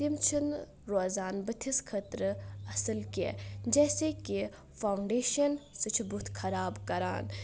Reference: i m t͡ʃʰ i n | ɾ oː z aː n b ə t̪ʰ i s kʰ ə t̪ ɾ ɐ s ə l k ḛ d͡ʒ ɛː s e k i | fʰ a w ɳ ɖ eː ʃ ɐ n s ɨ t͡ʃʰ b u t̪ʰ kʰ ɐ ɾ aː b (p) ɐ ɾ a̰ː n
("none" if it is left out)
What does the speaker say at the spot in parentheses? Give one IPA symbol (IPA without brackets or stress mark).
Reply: k